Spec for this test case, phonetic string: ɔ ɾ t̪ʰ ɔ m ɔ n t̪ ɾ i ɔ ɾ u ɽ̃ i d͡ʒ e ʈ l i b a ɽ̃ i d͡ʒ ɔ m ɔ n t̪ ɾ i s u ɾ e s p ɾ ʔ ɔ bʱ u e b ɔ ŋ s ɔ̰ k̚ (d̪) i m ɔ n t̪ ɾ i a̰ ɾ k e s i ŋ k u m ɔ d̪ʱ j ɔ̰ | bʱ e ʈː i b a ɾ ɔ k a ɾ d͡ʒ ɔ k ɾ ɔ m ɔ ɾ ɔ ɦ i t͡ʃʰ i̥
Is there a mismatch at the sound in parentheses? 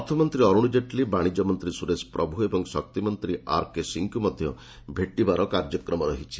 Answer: yes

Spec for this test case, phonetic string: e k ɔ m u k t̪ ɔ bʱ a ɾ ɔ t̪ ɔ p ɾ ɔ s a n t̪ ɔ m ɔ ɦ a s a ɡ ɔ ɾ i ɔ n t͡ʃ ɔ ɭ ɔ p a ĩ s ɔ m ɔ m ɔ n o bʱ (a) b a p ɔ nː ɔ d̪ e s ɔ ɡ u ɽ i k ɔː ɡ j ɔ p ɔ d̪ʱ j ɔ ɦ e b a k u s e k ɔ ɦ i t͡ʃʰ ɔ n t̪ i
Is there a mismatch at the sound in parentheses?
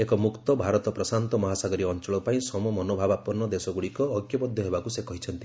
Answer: no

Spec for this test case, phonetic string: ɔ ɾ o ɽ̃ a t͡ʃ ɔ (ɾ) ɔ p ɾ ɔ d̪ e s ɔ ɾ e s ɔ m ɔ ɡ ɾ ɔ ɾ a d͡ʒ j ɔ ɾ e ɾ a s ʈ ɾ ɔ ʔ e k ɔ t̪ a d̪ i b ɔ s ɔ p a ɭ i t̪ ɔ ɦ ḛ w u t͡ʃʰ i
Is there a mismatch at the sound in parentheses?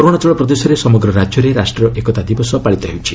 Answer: yes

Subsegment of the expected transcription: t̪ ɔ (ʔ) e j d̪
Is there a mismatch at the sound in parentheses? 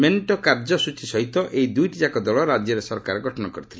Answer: no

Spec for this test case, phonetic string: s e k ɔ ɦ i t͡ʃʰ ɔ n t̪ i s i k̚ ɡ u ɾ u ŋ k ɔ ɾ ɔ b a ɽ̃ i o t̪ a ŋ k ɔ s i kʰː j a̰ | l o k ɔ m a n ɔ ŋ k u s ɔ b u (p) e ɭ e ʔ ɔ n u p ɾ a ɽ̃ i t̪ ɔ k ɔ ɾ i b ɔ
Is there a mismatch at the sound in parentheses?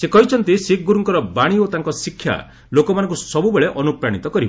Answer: yes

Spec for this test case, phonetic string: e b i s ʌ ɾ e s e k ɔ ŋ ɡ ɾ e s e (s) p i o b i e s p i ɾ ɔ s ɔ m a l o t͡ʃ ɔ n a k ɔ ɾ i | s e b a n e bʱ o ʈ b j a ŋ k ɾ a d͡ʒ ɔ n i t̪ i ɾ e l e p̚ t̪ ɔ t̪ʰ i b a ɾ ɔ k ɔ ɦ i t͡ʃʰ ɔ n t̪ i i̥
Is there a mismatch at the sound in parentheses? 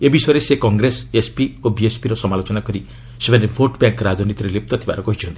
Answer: no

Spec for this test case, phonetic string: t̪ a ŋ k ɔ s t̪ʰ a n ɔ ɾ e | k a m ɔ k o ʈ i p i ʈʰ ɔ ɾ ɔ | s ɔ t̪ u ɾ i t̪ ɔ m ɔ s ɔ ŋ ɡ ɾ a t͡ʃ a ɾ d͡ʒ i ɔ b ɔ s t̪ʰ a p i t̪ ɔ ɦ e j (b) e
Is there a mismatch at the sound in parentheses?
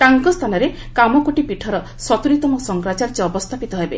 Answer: no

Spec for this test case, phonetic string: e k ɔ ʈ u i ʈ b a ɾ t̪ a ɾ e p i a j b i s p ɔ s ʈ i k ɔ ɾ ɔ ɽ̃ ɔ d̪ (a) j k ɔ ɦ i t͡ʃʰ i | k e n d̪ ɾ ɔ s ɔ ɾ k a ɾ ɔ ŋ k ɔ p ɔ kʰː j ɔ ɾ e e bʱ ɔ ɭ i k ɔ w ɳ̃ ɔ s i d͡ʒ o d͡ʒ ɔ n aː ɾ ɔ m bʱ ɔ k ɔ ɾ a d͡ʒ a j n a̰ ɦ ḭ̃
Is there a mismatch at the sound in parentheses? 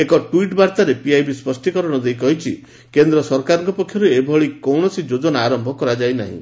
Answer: yes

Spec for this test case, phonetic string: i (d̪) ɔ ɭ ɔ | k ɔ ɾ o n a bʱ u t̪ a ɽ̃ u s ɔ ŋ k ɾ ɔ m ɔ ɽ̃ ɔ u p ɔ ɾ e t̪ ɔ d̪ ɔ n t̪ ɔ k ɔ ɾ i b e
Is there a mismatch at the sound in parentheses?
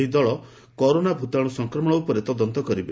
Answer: no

